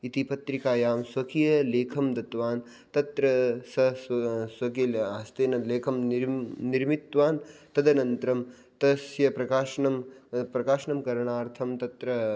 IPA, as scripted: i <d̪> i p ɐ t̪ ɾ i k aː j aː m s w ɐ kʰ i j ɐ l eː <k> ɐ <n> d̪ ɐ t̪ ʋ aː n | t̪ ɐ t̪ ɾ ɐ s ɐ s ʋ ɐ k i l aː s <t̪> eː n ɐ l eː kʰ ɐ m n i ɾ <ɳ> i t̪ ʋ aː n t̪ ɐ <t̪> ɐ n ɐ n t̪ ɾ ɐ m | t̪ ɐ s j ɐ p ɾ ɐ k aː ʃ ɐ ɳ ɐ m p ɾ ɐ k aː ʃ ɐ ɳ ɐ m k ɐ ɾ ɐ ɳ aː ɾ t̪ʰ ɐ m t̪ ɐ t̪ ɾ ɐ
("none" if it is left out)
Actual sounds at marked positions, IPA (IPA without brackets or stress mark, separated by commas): t̪, kʰ, m, t̪, m, d̪